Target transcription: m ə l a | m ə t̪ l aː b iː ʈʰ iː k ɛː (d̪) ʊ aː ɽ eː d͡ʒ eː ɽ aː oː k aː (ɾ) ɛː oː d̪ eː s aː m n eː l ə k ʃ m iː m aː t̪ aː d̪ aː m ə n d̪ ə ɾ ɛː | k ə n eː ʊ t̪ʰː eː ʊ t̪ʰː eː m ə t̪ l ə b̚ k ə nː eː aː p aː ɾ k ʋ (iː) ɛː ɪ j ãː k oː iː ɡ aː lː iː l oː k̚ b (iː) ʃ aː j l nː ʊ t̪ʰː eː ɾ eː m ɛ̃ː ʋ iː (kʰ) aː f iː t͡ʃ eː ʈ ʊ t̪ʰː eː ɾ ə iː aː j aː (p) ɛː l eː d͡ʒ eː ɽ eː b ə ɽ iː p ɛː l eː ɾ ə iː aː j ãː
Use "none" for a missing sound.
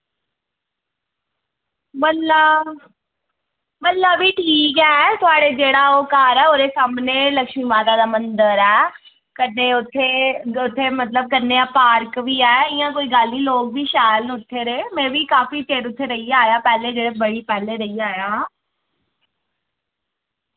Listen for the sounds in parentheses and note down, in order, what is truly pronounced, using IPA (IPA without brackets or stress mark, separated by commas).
t̪, ɾ, iː, iː, k, p